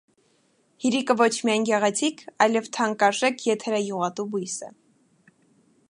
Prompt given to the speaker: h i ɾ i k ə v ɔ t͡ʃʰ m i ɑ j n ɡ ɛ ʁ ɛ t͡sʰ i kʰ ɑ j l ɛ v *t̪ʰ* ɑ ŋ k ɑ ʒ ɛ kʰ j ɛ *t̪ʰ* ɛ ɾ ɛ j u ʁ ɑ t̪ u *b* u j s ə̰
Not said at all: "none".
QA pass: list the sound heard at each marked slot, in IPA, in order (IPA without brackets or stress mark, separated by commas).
t̪ʰ, t̪ʰ, b